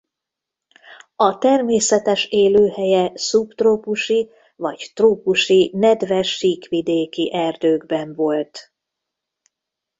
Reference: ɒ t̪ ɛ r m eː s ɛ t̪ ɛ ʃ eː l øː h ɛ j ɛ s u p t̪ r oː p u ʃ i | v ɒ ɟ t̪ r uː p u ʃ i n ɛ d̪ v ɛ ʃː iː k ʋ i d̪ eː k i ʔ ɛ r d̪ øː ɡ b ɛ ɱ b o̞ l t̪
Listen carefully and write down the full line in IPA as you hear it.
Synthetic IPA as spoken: ɒ t̪ ɛ r m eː s ɛ t̪ ɛ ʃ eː l øː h ɛ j ɛ s u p t̪ r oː p u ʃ i | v ɒ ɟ t̪ r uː p u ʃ i n ɛ d̪ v ɛ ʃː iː k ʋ i d̪ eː k i ʔ ɛ r d̪ øː ɡ b ɛ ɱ v o̞ l t̪